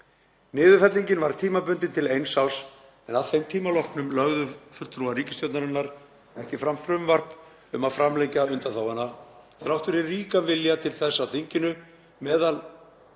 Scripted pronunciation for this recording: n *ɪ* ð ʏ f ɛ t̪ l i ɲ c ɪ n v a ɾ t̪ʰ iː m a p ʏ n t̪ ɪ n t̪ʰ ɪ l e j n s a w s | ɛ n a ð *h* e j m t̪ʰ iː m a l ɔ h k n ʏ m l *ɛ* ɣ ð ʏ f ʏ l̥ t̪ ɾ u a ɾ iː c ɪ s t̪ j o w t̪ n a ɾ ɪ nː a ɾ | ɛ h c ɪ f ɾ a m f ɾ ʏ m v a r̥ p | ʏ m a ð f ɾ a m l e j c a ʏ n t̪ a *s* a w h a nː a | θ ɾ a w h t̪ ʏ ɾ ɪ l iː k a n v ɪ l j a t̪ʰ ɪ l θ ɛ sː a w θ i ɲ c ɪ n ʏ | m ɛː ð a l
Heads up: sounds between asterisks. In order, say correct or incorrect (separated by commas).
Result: incorrect, incorrect, incorrect, incorrect